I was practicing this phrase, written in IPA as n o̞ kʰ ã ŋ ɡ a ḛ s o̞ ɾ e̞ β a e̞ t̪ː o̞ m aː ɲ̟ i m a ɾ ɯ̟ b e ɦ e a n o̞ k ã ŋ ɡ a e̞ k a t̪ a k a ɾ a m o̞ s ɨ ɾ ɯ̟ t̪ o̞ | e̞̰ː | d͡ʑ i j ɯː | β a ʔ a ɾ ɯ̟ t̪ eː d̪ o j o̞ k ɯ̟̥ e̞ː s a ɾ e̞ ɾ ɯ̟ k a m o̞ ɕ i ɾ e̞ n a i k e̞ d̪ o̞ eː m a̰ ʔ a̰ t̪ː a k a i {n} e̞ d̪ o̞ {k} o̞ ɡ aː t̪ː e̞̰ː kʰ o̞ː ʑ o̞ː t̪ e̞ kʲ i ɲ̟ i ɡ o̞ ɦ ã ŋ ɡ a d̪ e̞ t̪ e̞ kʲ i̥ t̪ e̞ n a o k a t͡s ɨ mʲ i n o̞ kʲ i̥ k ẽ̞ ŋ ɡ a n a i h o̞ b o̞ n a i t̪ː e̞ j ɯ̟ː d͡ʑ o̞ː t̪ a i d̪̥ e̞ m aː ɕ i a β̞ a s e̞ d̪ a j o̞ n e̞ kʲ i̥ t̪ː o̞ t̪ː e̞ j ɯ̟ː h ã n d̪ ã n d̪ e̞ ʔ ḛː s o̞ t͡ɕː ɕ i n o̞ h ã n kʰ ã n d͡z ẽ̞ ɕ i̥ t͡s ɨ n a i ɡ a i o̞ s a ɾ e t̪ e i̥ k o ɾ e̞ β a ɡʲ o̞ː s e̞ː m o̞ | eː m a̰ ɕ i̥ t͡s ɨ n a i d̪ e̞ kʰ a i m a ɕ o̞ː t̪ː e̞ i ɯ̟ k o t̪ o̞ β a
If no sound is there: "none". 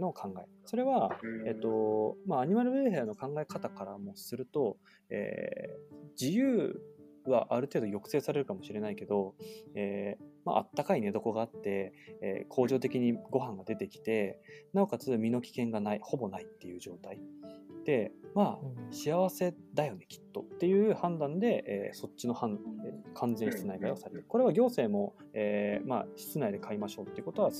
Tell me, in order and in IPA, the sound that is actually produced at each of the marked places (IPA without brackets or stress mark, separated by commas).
n, k